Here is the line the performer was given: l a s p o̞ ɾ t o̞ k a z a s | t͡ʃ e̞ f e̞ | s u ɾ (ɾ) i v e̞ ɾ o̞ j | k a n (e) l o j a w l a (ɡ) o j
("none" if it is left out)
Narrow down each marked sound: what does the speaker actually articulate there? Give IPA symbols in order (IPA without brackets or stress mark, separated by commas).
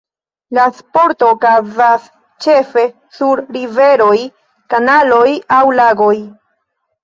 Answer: ɾ, a, ɡ